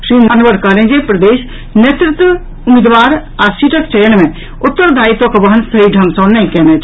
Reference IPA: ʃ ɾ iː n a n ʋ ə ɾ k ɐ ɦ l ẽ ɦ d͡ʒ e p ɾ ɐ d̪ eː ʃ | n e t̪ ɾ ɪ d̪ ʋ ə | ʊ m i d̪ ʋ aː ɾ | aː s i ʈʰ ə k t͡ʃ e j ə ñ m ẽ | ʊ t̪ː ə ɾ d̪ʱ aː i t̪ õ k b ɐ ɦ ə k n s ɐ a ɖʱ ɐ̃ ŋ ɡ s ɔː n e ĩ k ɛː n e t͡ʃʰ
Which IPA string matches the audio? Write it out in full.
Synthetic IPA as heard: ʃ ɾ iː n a n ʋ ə ɾ k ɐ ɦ l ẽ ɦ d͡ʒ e p ɾ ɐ d̪ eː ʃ | n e t̪ ɾ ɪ t̪ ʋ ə | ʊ m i d̪ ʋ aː ɾ | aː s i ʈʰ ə k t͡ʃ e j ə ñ m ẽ | ʊ t̪ː ə ɾ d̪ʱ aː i t̪ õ k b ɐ ɦ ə n s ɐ i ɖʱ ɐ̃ ŋ ɡ s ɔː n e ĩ k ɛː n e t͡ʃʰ